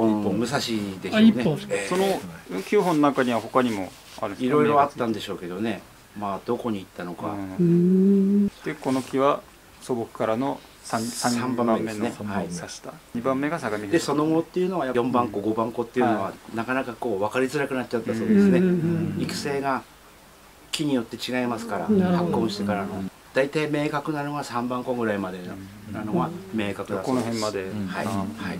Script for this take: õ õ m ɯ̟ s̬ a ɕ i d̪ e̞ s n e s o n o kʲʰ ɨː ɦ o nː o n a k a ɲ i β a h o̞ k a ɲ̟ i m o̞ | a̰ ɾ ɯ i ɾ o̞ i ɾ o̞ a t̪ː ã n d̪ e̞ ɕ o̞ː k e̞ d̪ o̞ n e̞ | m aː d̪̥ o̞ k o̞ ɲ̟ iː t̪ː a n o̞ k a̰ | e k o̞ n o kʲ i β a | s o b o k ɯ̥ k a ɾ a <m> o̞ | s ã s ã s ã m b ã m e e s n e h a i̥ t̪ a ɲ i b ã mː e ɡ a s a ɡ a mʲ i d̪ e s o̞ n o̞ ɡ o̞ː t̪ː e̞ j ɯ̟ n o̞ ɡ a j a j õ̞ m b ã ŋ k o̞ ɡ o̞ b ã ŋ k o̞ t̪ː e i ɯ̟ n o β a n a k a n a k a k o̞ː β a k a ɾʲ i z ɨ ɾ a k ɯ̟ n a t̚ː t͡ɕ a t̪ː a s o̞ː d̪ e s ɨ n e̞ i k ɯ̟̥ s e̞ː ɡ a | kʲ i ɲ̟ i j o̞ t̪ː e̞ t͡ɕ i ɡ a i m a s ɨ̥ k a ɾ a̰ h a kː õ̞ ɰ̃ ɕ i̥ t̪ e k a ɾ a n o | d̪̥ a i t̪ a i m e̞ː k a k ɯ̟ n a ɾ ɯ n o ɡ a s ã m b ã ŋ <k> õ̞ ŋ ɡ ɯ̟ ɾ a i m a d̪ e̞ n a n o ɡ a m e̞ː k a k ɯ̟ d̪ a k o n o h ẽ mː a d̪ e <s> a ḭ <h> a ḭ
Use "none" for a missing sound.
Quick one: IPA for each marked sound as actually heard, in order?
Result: n, k, h, h

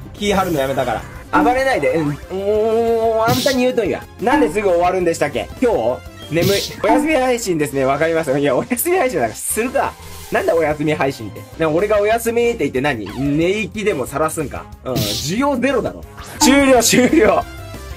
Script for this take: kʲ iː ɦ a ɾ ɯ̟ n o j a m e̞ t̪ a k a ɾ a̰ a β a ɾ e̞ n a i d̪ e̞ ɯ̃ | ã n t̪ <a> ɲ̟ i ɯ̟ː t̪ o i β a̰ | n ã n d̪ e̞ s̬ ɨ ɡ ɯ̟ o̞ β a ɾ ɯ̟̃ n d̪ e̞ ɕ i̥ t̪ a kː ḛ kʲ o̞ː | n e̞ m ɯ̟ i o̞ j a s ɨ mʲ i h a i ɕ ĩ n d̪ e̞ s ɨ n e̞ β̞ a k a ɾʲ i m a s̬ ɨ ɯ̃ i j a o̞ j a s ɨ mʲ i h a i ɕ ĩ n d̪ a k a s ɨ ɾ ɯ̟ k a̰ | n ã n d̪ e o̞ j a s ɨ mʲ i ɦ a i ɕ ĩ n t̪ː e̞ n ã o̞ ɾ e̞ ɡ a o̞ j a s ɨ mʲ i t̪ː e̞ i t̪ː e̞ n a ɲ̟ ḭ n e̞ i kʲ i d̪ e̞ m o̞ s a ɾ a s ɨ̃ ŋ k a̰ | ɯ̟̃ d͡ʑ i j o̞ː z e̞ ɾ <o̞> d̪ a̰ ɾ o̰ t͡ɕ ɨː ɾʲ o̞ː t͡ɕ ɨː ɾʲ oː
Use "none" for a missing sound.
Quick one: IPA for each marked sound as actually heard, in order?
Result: a, o̞

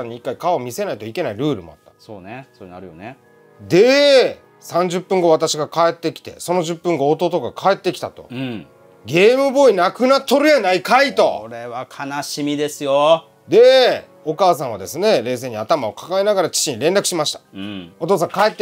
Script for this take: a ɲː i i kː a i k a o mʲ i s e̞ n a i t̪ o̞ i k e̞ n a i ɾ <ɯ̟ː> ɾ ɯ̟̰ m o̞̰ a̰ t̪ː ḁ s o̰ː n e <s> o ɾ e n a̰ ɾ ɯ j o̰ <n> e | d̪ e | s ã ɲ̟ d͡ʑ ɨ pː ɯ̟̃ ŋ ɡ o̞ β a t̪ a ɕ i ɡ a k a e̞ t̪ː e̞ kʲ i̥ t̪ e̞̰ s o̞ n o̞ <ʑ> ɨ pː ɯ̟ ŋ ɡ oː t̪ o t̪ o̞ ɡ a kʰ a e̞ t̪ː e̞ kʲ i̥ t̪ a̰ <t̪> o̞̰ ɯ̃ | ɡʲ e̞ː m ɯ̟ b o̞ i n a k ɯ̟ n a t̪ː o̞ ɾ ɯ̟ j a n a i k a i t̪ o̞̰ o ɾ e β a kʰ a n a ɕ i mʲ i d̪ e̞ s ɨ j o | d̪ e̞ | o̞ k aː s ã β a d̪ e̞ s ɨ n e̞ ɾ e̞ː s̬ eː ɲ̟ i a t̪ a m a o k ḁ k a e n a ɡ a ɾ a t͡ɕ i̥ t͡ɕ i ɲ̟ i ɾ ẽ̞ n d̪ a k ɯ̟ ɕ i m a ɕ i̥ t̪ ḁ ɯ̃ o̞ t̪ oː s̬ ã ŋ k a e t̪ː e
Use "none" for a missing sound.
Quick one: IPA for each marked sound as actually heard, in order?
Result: ɯ̟ː, s, n, ʑ, t̪

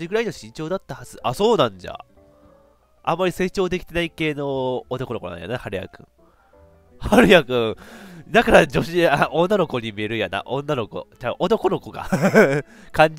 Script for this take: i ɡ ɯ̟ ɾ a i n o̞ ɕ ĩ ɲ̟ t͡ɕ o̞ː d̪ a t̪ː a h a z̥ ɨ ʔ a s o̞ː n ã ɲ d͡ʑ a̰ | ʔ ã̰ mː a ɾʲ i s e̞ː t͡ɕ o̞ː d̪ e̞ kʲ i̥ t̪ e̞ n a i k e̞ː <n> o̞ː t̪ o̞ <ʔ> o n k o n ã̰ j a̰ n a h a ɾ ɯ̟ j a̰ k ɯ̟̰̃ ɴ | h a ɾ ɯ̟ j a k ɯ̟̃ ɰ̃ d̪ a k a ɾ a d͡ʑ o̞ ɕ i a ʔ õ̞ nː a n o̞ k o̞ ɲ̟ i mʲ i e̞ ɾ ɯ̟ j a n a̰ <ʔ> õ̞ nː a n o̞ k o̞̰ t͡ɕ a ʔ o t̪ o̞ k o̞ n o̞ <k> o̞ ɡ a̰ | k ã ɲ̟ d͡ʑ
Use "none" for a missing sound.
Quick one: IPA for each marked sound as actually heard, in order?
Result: n, k, ʔ, k

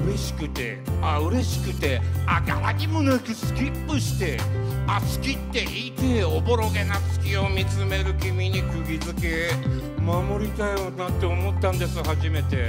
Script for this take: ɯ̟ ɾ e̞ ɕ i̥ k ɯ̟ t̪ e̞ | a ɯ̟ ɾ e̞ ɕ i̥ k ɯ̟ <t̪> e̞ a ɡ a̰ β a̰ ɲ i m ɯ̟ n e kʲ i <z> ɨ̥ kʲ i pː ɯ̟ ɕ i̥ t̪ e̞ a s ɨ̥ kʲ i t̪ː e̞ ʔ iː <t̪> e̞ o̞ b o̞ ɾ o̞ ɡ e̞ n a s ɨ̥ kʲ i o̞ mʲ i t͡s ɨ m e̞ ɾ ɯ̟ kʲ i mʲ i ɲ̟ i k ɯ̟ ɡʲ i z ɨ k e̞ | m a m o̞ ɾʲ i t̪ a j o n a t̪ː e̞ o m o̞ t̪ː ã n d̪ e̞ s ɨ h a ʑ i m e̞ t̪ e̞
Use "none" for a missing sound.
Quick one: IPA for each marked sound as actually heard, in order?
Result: t̪, s, t̪

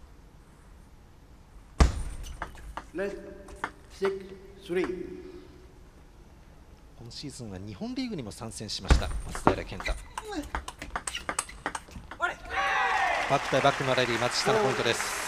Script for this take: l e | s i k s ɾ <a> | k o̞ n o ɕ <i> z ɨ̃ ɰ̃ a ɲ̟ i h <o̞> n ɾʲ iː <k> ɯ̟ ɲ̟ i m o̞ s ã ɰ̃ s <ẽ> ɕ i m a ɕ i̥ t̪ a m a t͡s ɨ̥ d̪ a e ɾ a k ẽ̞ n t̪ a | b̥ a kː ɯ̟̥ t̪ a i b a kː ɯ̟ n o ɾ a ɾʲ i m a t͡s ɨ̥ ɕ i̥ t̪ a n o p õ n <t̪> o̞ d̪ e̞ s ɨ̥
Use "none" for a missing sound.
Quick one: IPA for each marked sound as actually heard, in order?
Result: i, iː, õ̞, ɡ, ẽ, t̪

